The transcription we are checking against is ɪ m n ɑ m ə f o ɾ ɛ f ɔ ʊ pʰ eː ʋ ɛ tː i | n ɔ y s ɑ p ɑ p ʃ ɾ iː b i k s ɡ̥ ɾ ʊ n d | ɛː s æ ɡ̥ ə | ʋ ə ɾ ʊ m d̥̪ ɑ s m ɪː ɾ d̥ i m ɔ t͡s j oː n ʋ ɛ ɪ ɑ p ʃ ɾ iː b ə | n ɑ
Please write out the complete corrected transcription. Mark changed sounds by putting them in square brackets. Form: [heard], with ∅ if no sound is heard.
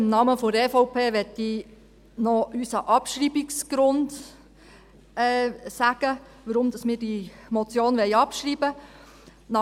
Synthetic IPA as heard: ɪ m n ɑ m ə f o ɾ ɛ f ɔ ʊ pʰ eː ʋ ɛ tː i | n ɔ y s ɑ [ʔ] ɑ p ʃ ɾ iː b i k s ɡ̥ ɾ ʊ n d | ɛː s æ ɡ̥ ə | ʋ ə ɾ ʊ m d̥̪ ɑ s m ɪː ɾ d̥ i m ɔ t͡s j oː n ʋ ɛ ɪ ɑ p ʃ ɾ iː b ə | n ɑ